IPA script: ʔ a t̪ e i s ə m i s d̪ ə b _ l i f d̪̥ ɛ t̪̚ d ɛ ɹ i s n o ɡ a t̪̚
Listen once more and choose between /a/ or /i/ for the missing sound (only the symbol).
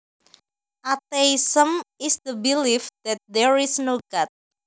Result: i